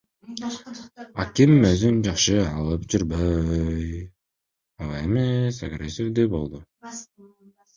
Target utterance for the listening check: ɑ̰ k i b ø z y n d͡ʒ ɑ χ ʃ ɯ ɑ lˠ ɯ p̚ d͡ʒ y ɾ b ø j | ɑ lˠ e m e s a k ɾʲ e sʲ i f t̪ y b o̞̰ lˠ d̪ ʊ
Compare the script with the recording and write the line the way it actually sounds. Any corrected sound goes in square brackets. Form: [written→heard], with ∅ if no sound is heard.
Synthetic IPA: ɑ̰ k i [b→m] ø z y n d͡ʒ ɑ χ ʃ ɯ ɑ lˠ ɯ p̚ d͡ʒ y ɾ b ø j | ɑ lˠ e m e s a [k→ɡ] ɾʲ e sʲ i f [t̪→d̪] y b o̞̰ lˠ d̪ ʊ